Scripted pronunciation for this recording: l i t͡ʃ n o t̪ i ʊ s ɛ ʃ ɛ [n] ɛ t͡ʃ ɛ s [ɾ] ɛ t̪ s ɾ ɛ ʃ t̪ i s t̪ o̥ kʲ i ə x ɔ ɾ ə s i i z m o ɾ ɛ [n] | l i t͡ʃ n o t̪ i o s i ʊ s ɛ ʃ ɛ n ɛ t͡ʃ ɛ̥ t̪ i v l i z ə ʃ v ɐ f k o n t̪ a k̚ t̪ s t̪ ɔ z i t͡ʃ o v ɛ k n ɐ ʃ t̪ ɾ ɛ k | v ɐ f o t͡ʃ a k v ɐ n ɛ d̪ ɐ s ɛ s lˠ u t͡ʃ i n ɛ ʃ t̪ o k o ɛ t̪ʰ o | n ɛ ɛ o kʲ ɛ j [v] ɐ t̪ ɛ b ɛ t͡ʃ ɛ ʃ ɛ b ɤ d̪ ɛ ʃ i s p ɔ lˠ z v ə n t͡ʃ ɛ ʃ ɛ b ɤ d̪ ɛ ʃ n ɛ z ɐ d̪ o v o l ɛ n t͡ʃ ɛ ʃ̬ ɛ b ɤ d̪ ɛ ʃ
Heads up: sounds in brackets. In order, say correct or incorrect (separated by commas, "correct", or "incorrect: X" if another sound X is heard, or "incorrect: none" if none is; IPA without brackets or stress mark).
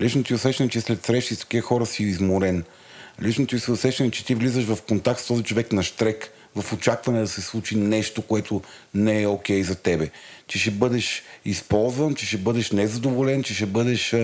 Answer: correct, incorrect: l, correct, incorrect: z